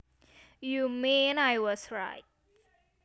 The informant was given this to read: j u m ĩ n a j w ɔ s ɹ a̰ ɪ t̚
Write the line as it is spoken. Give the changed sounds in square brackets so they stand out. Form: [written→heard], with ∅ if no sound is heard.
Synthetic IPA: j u m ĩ n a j w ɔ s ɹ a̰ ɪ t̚